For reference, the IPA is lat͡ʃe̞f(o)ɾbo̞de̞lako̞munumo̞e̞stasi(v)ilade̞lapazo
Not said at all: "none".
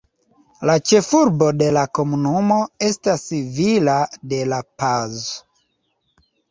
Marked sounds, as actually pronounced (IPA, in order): u, v

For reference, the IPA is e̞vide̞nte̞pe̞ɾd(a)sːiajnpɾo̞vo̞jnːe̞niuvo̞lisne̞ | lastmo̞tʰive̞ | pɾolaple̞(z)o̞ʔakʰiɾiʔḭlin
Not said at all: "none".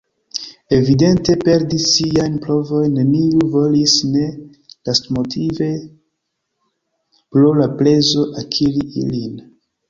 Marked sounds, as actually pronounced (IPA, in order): i, z

